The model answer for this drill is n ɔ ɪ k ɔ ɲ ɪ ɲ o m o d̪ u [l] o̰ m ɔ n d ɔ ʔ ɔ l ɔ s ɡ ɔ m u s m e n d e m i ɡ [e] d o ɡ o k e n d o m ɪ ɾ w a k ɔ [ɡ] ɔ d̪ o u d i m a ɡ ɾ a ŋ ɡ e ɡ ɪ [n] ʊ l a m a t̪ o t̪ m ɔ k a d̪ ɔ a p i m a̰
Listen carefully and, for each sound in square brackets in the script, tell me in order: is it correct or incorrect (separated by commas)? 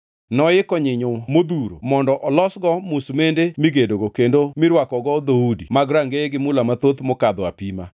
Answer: incorrect, correct, correct, incorrect